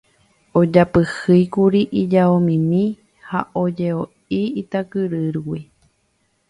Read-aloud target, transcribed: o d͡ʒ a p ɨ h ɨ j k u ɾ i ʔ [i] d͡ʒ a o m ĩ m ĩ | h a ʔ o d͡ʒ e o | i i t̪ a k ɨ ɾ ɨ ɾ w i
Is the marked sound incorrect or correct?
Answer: correct